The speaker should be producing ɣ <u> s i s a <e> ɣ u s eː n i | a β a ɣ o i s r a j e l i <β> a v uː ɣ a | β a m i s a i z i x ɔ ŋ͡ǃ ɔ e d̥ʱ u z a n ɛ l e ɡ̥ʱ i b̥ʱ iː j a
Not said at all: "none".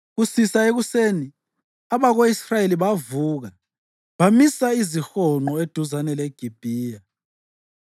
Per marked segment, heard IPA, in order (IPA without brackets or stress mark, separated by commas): u, e, β